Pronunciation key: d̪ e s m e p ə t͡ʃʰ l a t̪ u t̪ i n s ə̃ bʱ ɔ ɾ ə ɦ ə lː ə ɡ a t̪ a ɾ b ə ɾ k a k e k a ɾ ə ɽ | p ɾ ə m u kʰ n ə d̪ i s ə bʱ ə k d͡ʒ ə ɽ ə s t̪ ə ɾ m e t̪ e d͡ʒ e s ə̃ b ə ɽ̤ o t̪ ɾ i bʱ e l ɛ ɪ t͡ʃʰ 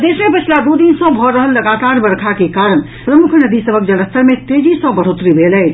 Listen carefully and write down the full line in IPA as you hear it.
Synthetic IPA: d̪ e s m e p ə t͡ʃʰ l a d̪ u d̪ i n s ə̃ bʱ ɔ ɾ ə ɦ ə lː ə ɡ a t̪ a ɾ b ə ɾ kʰ a k e k a ɾ ə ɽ | p ɾ ə m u kʰ n ə d̪ i s ə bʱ ə k d͡ʒ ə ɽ ə s t̪ ə ɾ m e t̪ e d͡ʒ i s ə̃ b ə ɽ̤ o t̪ ɾ i bʱ e l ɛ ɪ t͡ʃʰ